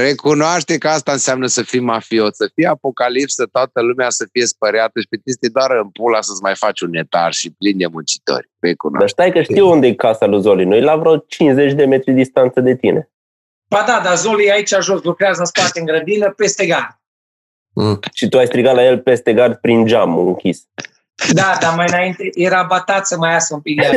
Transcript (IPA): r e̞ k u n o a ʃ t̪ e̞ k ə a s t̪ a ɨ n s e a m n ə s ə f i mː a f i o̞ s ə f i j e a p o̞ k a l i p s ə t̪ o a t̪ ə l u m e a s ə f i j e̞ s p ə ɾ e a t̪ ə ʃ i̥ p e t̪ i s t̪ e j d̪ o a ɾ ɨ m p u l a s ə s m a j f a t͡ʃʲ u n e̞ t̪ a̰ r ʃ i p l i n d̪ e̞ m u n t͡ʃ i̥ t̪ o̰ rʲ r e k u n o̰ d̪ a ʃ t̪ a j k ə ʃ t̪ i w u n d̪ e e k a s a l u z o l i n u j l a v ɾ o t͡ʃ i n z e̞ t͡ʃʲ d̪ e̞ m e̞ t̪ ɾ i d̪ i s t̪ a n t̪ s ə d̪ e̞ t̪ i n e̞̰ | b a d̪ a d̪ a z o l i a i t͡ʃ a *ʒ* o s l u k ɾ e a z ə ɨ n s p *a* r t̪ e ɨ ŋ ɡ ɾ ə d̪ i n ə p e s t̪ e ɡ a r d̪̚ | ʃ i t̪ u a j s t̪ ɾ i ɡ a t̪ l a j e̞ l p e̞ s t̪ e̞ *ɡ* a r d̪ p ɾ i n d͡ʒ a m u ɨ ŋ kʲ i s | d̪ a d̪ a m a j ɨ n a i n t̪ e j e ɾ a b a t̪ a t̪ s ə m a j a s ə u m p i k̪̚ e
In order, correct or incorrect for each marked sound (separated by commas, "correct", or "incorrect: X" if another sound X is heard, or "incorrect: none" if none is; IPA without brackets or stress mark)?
correct, correct, correct